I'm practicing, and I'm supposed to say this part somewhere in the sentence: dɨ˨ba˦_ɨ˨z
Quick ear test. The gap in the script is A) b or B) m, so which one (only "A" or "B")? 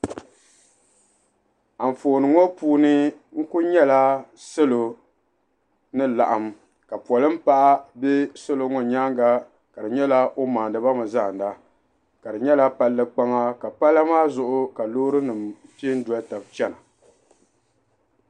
B